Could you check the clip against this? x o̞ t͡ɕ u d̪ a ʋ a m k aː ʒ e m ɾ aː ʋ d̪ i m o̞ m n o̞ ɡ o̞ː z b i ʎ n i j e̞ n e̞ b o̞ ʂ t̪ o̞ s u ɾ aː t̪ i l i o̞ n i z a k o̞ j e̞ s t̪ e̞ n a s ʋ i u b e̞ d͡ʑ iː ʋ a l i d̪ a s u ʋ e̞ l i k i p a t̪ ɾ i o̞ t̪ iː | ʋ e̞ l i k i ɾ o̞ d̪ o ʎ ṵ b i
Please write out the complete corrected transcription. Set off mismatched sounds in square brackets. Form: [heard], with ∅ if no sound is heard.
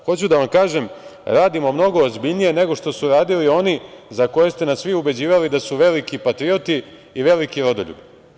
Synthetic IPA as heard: x o̞ t͡ɕ u d̪ a ʋ a m k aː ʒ e m ɾ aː [∅] d̪ i m o̞ m n o̞ ɡ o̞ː z b i ʎ n i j e̞ n e̞ [ɡ] o̞ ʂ t̪ o̞ s u ɾ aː [d̪] i l i o̞ n i z a k o̞ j e̞ s t̪ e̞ n a s ʋ i u b e̞ d͡ʑ iː ʋ a l i d̪ a s u ʋ e̞ l i k i p a t̪ ɾ i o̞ t̪ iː | ʋ e̞ l i k i ɾ o̞ d̪ o ʎ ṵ b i